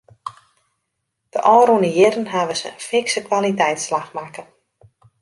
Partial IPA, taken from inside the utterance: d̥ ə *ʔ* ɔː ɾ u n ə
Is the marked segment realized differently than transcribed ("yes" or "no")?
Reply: no